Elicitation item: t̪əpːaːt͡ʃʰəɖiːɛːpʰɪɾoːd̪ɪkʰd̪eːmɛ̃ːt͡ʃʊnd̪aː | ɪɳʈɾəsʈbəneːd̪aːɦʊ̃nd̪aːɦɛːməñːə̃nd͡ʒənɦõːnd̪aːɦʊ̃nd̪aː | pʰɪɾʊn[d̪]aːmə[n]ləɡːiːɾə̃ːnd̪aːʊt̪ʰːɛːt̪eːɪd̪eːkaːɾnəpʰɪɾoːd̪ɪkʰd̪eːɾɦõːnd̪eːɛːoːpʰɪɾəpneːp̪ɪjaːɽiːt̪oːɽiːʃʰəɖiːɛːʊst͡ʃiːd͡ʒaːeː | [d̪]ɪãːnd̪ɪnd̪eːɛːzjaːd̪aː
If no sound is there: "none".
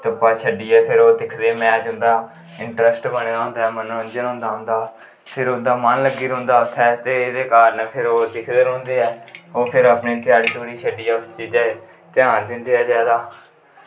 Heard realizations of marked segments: d̪, n, t̪

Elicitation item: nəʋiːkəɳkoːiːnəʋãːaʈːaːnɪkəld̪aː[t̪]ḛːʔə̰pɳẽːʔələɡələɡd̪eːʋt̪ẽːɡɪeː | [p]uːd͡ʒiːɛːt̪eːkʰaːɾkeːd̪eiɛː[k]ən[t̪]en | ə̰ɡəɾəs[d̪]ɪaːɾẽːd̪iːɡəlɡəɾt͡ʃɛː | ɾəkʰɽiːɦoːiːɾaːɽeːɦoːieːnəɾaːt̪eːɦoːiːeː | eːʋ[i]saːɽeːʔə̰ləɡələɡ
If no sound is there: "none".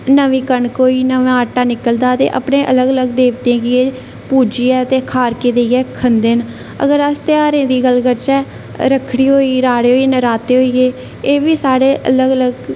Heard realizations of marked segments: t̪, p, kʰ, d̪, t̪, iː

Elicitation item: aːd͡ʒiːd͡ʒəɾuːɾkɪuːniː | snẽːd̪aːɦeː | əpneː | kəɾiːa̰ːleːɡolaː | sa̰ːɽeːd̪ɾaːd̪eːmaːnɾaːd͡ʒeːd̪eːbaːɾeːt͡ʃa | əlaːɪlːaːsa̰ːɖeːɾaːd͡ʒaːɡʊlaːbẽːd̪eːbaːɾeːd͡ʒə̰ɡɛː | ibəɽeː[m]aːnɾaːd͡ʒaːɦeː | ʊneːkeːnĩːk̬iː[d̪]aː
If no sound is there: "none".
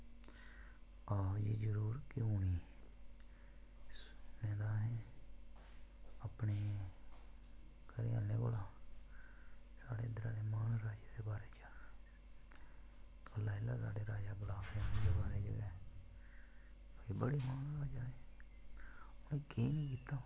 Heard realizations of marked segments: m, t̪

